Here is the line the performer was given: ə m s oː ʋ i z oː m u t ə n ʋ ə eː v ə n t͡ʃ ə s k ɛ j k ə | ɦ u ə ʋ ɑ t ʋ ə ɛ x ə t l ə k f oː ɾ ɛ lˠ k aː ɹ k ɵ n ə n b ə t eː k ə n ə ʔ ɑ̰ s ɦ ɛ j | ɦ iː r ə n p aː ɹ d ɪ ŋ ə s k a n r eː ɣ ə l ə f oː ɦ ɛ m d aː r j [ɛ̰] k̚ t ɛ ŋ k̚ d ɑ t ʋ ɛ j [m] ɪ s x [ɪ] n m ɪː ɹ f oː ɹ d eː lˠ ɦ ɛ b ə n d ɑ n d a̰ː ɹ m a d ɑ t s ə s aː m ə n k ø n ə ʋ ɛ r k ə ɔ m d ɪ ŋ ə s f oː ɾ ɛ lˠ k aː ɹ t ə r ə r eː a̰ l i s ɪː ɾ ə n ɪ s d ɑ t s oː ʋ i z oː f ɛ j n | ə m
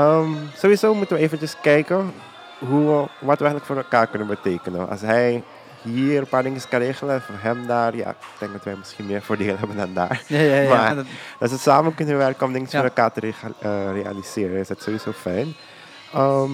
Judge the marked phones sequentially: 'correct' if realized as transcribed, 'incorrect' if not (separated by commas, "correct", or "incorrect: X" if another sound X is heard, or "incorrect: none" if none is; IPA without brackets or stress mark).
incorrect: a̰, correct, incorrect: i